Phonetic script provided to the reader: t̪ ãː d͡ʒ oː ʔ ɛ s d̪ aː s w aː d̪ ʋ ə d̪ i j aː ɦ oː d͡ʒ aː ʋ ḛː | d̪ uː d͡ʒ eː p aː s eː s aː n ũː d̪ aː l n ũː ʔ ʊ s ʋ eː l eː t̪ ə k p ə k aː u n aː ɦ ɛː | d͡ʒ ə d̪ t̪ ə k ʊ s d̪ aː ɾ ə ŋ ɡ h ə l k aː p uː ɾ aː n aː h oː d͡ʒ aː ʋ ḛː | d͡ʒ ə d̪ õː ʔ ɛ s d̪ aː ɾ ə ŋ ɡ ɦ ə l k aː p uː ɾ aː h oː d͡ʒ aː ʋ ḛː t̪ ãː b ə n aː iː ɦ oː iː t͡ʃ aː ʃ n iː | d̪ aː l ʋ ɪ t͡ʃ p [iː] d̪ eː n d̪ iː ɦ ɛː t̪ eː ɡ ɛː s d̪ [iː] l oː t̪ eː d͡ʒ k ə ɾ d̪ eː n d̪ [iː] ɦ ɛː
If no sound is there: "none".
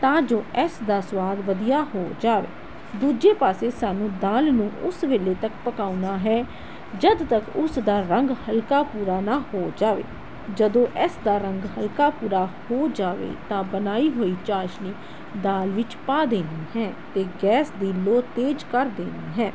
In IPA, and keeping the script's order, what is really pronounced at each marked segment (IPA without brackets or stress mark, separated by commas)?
aː, iː, iː